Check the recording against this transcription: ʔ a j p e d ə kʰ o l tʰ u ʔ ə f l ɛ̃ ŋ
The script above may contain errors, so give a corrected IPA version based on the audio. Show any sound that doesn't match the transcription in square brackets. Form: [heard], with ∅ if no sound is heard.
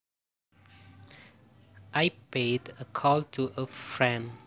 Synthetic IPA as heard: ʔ a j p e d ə kʰ [ɔ] l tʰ u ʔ ə f [ɹ] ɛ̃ [n]